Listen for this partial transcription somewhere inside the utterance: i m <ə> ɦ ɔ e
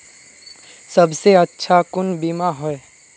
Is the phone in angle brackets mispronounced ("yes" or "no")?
yes